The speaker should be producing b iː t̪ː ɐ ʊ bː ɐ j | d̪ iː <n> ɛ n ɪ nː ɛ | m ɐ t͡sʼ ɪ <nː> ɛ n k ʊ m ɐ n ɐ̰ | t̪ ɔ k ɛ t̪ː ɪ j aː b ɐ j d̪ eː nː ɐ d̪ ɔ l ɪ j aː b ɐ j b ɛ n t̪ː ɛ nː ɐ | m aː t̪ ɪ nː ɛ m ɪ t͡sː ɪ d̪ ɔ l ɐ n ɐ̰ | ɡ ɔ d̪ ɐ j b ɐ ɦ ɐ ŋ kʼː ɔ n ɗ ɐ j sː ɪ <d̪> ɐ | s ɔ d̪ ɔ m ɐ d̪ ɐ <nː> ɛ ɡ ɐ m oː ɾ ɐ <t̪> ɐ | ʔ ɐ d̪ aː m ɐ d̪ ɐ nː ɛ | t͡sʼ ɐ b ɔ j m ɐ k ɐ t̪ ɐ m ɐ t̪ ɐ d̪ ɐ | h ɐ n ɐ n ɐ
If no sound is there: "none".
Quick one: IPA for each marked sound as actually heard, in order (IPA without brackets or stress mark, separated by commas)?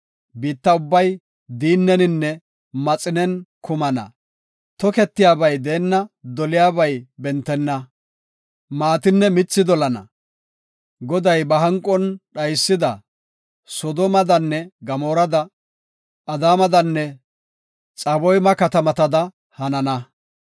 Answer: nː, n, d̪, nː, d̪